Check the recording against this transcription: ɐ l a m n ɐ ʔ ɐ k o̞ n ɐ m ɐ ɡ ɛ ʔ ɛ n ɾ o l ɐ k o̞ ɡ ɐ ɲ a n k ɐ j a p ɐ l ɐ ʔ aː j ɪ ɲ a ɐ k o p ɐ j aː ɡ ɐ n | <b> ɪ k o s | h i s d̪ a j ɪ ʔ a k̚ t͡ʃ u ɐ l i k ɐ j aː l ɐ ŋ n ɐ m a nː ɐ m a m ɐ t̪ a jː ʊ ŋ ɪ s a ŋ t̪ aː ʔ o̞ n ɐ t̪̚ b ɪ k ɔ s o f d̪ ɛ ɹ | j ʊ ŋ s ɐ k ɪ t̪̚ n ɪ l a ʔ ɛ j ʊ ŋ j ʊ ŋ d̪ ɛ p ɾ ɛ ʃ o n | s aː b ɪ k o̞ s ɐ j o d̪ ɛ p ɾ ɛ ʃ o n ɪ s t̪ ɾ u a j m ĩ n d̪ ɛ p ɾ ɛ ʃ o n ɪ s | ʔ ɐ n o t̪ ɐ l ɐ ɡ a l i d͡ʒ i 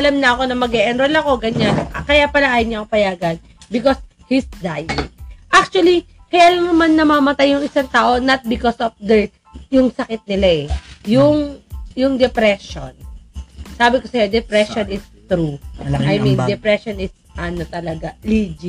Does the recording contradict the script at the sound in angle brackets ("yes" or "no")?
no